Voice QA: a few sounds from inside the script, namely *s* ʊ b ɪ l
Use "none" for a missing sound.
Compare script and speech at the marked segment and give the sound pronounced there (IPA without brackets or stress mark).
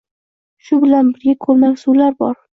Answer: ʃ